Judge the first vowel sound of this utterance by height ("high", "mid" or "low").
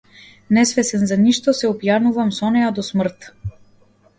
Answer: mid